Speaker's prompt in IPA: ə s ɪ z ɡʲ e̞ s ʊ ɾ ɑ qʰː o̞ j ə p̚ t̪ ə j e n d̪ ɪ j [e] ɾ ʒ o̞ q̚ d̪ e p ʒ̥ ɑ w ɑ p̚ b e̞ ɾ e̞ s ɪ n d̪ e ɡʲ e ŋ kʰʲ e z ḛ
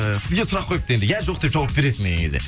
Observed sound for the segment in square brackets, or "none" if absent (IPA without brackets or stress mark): æ